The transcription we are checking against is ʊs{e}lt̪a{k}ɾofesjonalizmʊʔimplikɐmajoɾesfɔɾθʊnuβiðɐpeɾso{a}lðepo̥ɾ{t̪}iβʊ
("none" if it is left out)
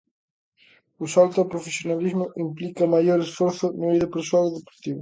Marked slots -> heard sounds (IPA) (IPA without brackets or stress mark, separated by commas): a, p, a, t̪